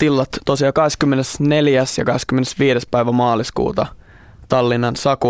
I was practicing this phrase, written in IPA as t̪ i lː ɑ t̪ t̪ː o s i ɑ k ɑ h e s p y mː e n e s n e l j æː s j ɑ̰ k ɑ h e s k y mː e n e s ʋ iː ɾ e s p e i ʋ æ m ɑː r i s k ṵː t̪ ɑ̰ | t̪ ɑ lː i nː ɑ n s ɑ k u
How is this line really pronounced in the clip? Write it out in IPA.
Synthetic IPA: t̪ i lː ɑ t̪ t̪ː o s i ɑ k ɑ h e s k y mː e n e s n e l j æ s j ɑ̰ k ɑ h e s k y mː e n e s ʋ iː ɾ e s p æ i ʋ æ m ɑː l i s k ṵː t̪ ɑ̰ | t̪ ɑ lː i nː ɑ n s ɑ k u